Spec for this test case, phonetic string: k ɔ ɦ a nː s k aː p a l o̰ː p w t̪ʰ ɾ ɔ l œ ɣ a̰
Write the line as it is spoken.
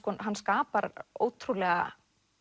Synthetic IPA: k ɔ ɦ a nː s k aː p a ɾ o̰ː w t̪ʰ ɾ u l ɛ ɣ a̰